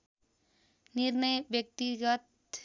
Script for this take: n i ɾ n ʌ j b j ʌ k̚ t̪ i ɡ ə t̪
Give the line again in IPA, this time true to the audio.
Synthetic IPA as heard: n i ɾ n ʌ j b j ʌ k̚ t̪ i ɡ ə t̪